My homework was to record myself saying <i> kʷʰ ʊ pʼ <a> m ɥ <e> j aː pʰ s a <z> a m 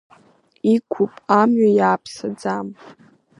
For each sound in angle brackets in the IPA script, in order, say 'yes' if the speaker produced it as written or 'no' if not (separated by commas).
yes, yes, no, no